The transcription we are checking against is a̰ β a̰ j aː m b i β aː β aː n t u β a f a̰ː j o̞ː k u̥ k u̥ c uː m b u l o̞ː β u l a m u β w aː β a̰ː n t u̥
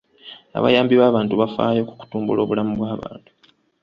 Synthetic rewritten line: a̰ β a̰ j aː m b i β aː β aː n t u β a f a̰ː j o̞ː k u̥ k u̥ t uː m b u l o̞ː β u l a m u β w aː β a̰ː n t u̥